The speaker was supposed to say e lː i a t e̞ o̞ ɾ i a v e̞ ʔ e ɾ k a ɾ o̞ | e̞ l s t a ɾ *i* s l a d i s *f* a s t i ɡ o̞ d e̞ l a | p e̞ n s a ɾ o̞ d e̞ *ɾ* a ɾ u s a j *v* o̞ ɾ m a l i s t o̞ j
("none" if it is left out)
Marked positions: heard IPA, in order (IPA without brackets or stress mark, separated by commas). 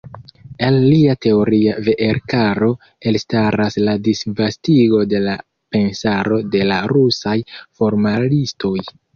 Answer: a, v, l, f